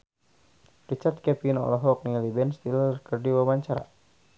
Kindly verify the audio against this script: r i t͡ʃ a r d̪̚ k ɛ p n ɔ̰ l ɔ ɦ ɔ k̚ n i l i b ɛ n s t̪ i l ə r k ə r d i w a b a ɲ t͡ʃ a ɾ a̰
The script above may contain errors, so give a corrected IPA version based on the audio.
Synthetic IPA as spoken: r i t͡ʃ a r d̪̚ k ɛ p n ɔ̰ l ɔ ɦ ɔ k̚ n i l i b ɛ n s t̪ i l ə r k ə r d i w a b a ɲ t͡ʃ a ɾ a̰